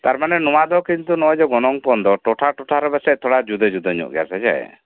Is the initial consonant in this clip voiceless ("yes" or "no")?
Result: yes